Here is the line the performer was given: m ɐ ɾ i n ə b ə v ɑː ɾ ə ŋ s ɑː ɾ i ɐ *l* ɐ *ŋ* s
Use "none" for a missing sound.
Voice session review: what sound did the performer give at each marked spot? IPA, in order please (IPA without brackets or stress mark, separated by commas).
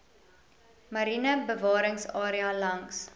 l, ŋ